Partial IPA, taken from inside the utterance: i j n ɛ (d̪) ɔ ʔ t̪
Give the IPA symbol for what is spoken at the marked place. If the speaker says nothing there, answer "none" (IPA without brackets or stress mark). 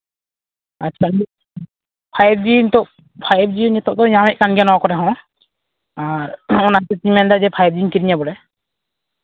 t̪